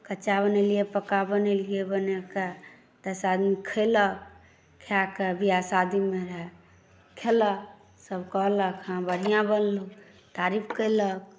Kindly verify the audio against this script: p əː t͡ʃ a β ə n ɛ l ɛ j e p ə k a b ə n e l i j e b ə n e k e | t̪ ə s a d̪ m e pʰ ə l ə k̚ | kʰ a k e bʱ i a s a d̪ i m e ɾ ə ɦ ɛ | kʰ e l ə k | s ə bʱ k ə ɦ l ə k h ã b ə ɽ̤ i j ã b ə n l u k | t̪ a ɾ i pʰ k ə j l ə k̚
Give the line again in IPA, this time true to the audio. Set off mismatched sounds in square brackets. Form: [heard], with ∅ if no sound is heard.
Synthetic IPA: [k] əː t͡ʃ a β ə n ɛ l [i] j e p ə k a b ə n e l i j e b ə n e k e | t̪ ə s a d̪ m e [kʰ] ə l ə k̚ | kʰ a k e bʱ i a s a d̪ i m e ɾ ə ɦ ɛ | kʰ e l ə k | s ə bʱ k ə ɦ l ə k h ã b ə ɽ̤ i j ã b ə n l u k | t̪ a ɾ i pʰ k ə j l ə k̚